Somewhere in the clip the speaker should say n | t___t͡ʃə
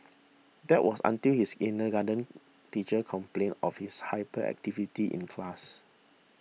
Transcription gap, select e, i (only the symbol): i